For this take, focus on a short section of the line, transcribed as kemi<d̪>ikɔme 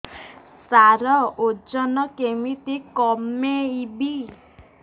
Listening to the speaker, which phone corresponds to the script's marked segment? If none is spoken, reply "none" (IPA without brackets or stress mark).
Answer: t̪